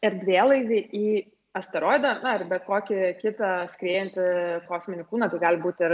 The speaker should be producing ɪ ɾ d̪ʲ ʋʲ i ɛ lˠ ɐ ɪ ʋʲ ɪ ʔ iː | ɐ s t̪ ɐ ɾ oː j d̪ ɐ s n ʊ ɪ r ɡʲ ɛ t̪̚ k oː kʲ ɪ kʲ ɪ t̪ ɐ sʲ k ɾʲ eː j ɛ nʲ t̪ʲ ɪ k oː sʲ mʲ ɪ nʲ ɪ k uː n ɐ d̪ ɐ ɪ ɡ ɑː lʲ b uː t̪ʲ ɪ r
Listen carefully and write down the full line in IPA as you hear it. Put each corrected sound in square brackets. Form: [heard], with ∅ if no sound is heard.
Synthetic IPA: ɪ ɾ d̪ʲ ʋʲ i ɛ lˠ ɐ ɪ ʋʲ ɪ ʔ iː | ɐ s t̪ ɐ ɾ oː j d̪ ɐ [∅] n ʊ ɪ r [bʲ] ɛ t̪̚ k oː kʲ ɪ kʲ ɪ t̪ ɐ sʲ k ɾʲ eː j ɛ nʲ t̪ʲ ɪ k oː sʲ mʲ ɪ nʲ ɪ k uː n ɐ [t̪] ɐ ɪ ɡ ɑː lʲ b uː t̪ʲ ɪ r

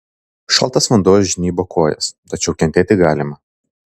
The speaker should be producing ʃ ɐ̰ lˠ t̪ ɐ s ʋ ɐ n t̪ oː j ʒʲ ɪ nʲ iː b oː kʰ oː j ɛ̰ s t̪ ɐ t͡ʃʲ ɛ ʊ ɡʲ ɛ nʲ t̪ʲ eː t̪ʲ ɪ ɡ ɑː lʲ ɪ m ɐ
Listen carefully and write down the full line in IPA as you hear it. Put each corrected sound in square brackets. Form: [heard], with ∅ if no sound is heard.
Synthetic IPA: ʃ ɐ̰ lˠ t̪ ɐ s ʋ ɐ n [d̪] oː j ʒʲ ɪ nʲ iː b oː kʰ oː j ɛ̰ s t̪ ɐ t͡ʃʲ ɛ ʊ [kʲ] ɛ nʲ t̪ʲ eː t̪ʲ ɪ ɡ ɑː lʲ ɪ m ɐ

